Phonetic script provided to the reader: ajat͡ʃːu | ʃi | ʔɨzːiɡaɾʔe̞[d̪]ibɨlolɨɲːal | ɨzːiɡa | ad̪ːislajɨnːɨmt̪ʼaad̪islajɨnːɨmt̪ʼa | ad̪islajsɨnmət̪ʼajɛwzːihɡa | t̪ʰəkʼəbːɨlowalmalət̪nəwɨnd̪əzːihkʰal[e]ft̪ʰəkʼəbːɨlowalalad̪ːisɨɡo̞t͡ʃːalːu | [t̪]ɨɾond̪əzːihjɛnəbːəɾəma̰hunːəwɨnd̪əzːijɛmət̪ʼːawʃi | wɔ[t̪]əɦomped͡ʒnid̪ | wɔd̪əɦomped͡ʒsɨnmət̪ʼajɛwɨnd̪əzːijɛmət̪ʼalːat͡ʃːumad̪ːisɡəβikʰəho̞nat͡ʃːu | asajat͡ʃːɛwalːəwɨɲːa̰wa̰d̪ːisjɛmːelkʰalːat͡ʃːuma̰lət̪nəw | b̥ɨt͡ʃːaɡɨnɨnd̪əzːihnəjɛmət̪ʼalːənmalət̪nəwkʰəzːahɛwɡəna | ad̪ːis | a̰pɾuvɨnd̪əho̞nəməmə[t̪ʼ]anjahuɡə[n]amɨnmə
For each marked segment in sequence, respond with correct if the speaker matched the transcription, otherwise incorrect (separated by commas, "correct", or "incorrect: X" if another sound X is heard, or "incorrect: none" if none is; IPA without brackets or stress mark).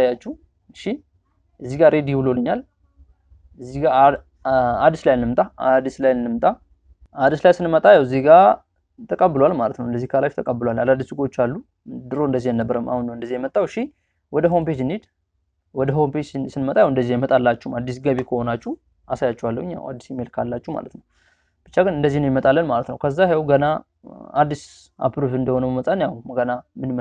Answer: correct, incorrect: a, incorrect: d̪, incorrect: d̪, correct, correct